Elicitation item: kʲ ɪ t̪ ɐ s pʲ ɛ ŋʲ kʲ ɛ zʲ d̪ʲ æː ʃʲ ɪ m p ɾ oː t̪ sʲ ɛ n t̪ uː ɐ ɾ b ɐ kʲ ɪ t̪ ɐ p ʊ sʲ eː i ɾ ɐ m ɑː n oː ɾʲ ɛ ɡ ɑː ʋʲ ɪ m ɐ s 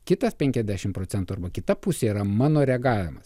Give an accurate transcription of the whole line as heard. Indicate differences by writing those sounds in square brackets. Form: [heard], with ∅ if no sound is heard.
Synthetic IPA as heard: kʲ ɪ t̪ ɐ s pʲ ɛ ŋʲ kʲ ɛ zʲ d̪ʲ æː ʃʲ ɪ m p ɾ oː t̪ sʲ ɛ n t̪ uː ɐ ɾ b ɐ kʲ ɪ t̪ ɐ p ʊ sʲ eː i ɾ ɐ m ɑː n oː ɾʲ ɛ ɡ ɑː ʋʲ ɪ m ɐ s